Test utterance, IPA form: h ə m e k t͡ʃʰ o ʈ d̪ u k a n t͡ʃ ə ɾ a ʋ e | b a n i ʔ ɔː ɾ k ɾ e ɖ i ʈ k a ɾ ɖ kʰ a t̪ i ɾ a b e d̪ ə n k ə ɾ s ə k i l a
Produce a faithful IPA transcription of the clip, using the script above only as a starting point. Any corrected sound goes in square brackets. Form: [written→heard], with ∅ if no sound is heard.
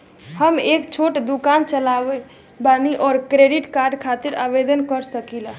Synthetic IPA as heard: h ə m e k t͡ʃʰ o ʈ d̪ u k a n t͡ʃ ə [ɾ→l] a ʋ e | b a n i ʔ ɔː ɾ k ɾ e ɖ i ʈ k a ɾ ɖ kʰ a t̪ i ɾ a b e d̪ ə n k ə ɾ s ə k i l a